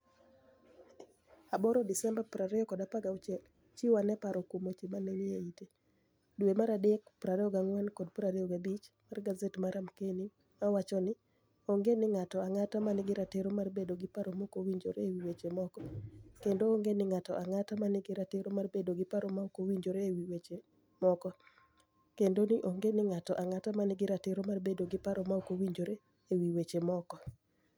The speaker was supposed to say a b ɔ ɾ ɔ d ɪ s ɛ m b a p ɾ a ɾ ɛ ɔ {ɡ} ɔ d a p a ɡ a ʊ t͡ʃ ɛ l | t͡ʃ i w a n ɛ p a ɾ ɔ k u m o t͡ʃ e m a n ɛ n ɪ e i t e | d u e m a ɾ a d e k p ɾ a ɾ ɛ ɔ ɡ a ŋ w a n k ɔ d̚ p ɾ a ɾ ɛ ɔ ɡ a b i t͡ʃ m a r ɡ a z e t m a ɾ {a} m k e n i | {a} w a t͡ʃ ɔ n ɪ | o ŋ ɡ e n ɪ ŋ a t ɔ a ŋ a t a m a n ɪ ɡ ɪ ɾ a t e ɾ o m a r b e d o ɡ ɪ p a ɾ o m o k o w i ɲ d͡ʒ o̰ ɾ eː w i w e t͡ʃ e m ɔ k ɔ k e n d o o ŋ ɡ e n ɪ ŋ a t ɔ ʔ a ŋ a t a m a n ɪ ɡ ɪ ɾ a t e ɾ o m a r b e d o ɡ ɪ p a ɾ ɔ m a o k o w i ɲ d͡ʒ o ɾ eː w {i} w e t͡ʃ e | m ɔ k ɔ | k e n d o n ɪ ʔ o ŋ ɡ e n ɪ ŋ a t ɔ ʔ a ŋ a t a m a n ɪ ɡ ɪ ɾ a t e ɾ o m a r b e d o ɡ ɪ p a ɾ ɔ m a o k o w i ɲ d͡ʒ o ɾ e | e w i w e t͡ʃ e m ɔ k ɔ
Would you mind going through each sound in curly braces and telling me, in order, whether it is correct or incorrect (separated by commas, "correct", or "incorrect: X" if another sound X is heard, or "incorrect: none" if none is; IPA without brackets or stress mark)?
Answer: incorrect: k, correct, correct, correct